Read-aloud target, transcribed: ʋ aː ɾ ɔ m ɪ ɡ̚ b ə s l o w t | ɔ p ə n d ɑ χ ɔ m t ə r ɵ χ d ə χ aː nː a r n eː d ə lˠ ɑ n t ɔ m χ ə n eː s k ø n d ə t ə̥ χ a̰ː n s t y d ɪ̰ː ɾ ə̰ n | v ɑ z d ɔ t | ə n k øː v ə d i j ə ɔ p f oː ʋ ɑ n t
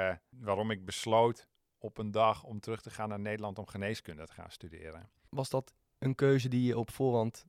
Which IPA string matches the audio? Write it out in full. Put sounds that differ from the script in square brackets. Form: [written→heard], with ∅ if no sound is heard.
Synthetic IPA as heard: ʋ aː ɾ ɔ m ɪ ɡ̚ b ə s l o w t | ɔ p ə n d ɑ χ ɔ m t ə r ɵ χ [d→t] ə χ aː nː a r n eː d ə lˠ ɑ n t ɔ m χ ə n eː s k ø n d ə t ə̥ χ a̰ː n s t y d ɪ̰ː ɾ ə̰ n | [v→ʋ] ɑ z d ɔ t | ə n k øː [v→z] ə d i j ə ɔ p f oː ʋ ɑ n t